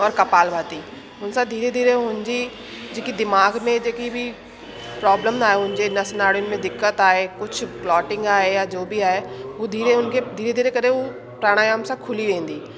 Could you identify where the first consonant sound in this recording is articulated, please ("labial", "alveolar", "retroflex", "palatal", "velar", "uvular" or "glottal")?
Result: alveolar